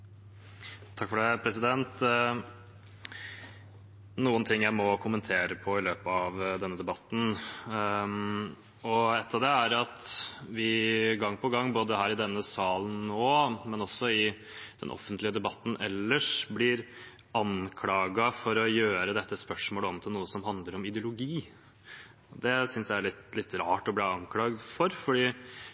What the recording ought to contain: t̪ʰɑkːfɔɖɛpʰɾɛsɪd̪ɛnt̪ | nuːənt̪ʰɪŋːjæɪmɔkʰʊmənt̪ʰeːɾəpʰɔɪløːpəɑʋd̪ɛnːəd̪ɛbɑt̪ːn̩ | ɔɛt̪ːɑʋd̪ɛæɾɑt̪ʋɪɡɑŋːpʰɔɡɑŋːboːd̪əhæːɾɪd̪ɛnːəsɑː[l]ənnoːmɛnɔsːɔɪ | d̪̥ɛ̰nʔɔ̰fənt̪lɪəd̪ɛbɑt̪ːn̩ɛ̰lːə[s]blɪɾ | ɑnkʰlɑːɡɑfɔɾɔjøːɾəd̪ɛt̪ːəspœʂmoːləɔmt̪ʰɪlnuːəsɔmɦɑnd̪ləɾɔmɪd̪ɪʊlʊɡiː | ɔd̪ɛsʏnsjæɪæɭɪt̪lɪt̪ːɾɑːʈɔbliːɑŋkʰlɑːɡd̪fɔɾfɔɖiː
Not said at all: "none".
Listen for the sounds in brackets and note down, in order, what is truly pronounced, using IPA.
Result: l, ʂ

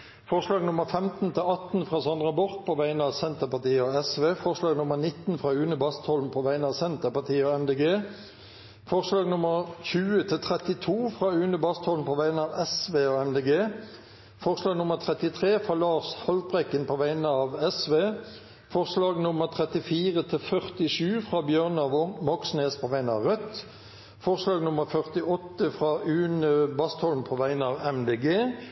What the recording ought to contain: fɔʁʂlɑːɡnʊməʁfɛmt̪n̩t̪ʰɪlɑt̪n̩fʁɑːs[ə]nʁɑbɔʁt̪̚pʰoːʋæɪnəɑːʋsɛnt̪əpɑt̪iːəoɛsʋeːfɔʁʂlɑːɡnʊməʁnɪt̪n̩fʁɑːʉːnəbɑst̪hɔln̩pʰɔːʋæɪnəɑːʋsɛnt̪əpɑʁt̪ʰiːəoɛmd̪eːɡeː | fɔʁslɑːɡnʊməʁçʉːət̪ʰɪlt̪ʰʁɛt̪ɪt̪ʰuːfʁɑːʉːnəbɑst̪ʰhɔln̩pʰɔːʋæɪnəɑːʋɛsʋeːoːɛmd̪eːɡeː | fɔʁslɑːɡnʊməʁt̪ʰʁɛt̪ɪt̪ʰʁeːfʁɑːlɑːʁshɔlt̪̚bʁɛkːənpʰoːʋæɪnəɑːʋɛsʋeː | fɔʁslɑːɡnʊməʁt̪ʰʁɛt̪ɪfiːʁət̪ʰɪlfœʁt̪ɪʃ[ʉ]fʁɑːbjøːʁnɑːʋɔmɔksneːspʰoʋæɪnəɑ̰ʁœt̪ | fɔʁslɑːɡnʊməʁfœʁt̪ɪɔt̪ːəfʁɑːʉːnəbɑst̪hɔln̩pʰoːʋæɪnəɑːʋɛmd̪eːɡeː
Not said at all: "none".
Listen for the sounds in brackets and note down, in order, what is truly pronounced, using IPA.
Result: ɑ, ʉː

